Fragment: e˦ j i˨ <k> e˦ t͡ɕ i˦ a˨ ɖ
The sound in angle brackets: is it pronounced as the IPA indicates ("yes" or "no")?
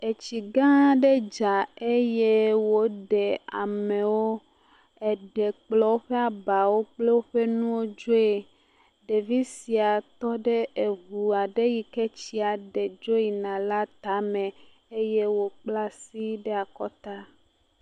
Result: yes